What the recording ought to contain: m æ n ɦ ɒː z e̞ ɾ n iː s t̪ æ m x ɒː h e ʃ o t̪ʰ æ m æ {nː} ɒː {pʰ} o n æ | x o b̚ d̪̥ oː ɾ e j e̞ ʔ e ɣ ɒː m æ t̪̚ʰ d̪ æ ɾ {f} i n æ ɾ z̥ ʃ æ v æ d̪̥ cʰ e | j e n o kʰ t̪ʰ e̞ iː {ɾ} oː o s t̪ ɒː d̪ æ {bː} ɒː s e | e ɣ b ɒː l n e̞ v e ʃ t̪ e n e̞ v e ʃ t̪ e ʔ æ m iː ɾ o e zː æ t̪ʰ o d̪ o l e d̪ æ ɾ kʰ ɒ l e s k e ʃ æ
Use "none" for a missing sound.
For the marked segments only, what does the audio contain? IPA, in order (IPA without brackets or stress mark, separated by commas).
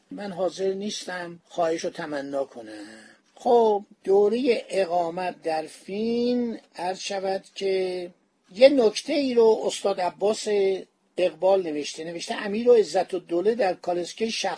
nː, kʰ, f, ɾ, bː